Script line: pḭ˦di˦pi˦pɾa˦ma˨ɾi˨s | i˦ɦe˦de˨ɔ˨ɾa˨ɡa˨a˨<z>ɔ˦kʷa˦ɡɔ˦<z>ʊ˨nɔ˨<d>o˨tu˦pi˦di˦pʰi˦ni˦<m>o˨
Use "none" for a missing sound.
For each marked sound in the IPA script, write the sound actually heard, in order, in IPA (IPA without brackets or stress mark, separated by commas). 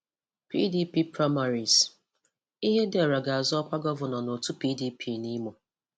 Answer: z, v, n, m